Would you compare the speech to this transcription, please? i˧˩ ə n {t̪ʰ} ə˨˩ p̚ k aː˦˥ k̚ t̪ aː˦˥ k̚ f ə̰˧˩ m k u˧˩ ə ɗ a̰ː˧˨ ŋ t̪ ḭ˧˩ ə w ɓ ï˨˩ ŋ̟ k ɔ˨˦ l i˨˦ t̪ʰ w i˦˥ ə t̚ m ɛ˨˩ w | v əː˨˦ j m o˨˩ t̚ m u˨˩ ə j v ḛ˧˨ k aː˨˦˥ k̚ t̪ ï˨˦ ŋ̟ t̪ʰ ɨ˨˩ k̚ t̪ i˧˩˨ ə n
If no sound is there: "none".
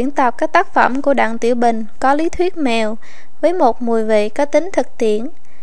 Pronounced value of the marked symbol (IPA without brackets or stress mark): t̪